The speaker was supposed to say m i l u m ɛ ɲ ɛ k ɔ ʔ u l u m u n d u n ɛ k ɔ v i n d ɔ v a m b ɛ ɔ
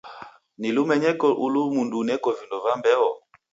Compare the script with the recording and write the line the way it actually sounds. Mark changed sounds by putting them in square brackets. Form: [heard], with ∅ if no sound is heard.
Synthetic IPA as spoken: [n] i l u m ɛ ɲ ɛ k ɔ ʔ u l u m u n d u n ɛ k ɔ v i n d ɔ v a m b ɛ ɔ